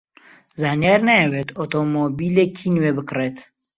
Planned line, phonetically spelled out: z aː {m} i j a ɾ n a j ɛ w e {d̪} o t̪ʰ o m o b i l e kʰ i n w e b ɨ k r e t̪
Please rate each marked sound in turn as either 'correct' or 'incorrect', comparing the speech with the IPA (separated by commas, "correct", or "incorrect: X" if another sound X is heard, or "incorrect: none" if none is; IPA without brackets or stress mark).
incorrect: n, incorrect: t̪